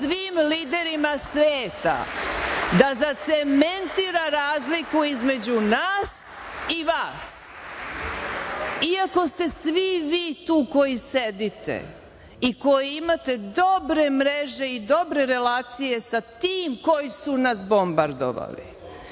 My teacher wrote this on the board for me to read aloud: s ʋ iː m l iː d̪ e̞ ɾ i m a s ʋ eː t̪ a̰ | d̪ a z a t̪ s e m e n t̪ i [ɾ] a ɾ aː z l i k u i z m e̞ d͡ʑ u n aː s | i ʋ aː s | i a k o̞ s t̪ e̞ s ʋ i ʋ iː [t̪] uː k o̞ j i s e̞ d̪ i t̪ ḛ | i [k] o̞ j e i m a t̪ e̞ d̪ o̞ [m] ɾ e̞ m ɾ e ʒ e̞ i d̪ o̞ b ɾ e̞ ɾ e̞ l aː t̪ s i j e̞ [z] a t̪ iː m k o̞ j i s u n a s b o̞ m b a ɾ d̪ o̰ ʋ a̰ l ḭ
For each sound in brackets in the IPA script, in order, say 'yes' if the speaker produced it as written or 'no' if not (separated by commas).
yes, yes, yes, no, no